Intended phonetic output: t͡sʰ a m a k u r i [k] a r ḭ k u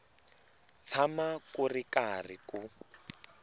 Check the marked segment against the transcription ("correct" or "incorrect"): correct